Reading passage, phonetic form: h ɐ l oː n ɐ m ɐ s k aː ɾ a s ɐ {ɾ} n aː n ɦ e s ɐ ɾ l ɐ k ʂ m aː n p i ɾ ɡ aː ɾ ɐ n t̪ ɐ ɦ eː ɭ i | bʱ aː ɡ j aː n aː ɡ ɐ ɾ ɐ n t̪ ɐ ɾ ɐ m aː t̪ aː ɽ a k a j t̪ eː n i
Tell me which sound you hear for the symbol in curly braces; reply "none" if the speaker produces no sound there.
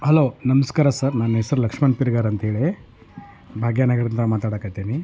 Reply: ɾ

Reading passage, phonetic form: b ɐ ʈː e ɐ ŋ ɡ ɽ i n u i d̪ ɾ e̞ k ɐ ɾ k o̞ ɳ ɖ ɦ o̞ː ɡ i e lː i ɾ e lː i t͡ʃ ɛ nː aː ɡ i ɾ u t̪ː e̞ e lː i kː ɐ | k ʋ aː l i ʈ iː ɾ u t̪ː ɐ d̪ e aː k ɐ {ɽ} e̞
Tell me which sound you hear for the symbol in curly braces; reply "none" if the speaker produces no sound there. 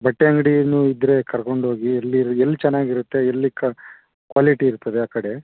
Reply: ɽ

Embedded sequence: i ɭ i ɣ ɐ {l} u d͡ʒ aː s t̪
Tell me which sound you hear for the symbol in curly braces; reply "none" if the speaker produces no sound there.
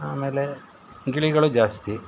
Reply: ɭ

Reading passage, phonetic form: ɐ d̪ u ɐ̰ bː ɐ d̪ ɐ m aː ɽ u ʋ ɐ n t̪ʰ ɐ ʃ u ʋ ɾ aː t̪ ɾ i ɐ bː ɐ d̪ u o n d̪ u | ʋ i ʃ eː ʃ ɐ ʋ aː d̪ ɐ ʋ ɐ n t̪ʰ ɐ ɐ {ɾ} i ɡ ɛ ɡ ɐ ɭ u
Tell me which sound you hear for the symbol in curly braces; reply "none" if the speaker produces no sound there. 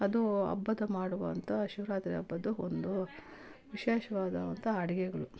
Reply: ɽ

